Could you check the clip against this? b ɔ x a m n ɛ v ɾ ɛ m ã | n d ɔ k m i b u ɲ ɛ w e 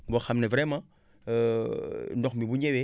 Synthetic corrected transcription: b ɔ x a m n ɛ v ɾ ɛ m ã | n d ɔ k m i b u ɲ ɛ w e